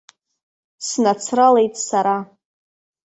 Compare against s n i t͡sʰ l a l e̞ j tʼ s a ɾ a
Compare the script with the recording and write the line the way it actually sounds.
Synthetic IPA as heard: s n a t͡sʰ r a l e̞ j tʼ s a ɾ a